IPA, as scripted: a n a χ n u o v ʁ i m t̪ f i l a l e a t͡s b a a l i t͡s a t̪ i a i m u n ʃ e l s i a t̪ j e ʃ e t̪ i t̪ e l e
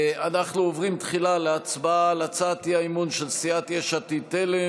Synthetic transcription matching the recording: a n a χ n u o v ʁ i m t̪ χ i l a l e a t͡s b a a l a t͡s a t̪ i a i m u n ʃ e l s i a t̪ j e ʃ a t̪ i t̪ e l e